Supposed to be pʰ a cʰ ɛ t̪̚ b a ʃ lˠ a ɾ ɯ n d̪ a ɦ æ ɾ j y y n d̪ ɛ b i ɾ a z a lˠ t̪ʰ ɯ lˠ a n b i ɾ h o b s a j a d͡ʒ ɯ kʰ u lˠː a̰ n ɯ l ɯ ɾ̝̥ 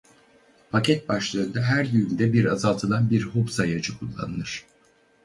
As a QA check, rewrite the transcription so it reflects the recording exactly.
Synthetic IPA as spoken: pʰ a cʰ ɛ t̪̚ b a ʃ lˠ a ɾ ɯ n d̪ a ɦ æ ɾ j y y n d̪ ɛ b i ɾ a z a lˠ t̪ʰ ɯ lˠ a n b i ɾ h o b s a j a d͡ʒ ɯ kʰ u lˠː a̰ n ɯ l ɯ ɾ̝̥

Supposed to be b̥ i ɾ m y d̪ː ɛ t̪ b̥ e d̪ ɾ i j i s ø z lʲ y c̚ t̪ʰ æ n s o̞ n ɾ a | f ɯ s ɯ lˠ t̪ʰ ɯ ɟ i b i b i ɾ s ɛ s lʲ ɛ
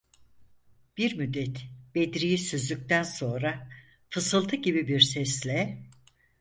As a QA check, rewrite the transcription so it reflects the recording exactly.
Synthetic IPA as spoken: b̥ i ɾ m y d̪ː ɛ t̪ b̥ e d̪ ɾ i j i s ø z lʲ y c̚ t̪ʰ æ n s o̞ n ɾ a | f ɯ s ɯ lˠ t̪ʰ ɯ ɟ i b i b i ɾ s ɛ s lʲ ɛ

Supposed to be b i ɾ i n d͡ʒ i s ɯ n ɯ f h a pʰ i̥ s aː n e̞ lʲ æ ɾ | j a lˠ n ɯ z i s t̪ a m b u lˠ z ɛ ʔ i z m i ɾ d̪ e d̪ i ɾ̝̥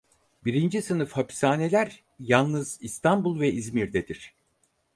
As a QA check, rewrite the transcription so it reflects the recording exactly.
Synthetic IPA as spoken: b i ɾ i n d͡ʒ i s ɯ n ɯ f h a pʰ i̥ s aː n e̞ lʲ æ ɾ | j a lˠ n ɯ z i s t̪ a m b u lˠ v ɛ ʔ i z m i ɾ d̪ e d̪ i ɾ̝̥

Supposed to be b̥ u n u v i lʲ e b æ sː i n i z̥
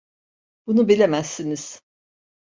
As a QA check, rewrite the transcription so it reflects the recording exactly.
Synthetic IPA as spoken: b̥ u n u b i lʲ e m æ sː i n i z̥

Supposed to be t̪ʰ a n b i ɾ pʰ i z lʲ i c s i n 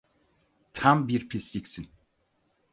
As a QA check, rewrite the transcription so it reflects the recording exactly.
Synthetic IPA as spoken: t̪ʰ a m b i ɾ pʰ i s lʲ i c s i n

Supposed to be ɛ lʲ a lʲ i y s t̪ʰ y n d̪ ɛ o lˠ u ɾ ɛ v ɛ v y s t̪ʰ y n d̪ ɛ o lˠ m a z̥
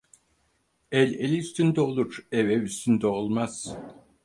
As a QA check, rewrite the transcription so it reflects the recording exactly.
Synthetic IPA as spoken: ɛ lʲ e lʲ i y s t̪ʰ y n d̪ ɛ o lˠ u ɾ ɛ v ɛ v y s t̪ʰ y n d̪ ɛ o lˠ m a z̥

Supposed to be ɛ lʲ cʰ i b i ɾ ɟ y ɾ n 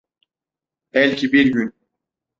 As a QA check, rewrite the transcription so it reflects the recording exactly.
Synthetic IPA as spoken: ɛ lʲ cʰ i b i ɾ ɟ y n

